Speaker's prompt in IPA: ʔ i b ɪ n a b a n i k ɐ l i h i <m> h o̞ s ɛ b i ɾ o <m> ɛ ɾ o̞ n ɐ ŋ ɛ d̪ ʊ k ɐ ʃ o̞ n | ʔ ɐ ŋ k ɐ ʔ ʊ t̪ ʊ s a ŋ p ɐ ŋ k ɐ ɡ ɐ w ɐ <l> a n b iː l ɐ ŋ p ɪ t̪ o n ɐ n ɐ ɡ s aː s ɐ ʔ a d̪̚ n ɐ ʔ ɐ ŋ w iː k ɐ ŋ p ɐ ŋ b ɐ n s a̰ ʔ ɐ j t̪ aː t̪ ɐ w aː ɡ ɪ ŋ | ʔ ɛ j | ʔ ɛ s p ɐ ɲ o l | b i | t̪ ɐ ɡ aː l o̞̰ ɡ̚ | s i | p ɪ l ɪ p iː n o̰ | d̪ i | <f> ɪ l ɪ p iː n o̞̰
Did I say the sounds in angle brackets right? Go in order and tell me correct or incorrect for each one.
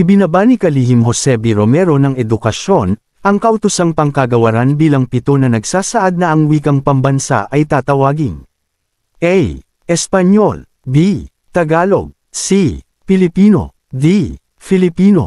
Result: correct, correct, incorrect, correct

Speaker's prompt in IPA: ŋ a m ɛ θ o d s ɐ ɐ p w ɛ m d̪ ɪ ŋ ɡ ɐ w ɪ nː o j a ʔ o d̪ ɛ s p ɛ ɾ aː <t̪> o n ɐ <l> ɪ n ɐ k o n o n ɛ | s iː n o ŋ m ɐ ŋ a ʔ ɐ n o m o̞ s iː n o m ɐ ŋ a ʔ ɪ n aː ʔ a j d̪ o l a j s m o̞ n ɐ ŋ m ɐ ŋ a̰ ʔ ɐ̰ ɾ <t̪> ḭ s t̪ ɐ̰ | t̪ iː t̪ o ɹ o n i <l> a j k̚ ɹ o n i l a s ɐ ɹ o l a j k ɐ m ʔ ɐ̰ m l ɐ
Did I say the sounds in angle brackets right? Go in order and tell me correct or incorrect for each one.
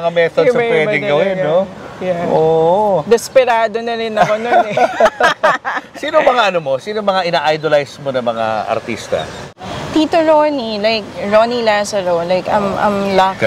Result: incorrect, incorrect, correct, correct

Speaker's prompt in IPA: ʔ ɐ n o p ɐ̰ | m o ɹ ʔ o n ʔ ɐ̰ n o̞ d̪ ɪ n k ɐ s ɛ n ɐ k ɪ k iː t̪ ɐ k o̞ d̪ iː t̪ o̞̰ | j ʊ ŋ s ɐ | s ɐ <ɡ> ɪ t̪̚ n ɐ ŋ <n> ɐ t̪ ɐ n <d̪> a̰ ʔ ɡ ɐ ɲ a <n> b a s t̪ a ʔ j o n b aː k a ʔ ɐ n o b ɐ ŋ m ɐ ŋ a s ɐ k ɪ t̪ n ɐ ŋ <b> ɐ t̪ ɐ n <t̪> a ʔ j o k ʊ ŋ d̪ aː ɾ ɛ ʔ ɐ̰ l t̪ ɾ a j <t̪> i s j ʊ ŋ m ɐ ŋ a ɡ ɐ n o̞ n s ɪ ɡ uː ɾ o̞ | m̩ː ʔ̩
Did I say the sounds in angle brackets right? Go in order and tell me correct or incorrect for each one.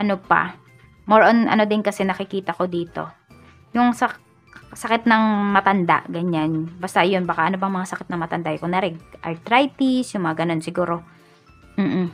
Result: incorrect, incorrect, correct, correct, incorrect, incorrect, correct

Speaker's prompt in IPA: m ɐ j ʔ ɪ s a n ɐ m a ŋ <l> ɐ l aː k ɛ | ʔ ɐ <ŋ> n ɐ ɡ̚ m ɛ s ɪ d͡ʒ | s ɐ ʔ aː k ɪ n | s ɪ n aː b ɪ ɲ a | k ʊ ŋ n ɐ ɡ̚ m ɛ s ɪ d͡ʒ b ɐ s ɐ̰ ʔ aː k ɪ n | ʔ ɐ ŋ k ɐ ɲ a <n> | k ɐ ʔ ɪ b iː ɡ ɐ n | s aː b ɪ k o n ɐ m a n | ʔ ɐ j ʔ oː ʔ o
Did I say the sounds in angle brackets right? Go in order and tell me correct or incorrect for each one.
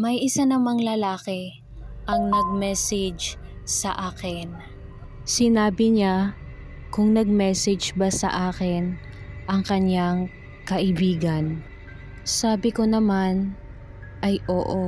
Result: correct, correct, incorrect

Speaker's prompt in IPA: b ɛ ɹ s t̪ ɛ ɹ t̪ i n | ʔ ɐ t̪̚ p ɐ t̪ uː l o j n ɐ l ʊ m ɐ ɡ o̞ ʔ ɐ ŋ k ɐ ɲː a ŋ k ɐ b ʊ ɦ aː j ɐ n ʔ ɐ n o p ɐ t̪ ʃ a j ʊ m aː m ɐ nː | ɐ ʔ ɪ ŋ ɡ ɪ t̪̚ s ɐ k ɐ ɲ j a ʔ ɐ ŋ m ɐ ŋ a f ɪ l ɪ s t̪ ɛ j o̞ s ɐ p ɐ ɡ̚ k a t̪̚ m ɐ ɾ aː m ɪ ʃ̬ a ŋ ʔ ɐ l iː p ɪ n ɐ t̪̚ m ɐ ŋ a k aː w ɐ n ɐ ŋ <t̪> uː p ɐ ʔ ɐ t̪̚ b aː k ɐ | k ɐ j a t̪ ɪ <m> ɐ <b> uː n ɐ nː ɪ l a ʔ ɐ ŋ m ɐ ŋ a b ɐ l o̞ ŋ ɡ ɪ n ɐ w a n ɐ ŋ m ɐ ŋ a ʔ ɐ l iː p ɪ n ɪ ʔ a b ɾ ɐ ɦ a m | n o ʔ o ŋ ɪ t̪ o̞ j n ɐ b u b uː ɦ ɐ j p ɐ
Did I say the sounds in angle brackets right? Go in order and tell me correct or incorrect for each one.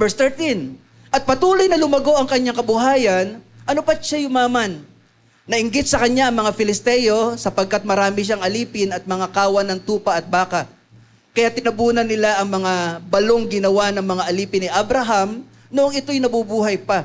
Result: correct, incorrect, correct

